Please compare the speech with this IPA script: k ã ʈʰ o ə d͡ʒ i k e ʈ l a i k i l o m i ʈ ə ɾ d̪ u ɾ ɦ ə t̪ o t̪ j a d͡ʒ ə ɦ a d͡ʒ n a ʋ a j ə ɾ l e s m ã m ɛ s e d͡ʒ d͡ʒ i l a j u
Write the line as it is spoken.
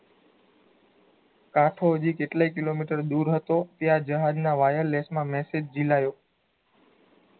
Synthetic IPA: k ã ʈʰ o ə d͡ʒ i k e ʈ l a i k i l o m i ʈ ə ɾ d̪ u ɾ ɦ ə t̪ o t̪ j a d͡ʒ ə ɦ a d͡ʒ n a ʋ a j ə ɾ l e s m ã m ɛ s e d͡ʒ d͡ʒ i l a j o